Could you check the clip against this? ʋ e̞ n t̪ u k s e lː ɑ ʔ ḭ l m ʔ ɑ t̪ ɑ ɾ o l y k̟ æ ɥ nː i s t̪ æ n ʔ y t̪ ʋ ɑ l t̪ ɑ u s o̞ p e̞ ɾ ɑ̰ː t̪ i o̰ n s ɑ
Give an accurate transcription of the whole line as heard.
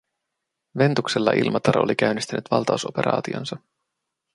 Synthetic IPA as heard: ʋ e̞ n t̪ u k s e lː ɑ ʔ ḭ l m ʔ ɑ t̪ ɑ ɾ o l i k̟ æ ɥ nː i s t̪ æ n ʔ y t̪ ʋ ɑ l t̪ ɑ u s o̞ p e̞ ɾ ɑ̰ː t̪ i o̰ n s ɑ